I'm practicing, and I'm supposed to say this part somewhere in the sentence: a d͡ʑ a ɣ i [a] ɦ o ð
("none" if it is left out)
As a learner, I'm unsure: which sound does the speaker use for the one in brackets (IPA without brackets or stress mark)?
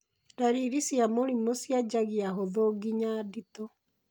a